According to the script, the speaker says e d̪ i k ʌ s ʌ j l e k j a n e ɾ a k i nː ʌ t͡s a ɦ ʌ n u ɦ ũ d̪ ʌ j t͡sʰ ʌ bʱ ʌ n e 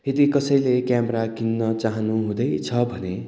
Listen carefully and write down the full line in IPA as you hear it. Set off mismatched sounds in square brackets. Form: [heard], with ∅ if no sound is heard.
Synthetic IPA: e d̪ i k ʌ s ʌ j l e k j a [m] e ɾ a k i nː ʌ t͡s a ɦ ʌ n u ɦ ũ d̪ ʌ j t͡sʰ ʌ bʱ ʌ n e